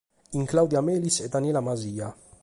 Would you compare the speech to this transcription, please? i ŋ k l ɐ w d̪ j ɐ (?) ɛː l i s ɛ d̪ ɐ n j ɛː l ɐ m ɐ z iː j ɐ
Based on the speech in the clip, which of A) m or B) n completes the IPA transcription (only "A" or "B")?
A